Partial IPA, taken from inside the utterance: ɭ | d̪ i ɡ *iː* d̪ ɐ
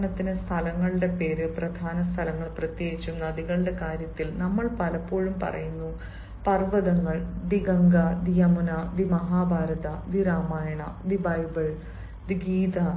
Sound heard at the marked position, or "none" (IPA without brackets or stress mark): iː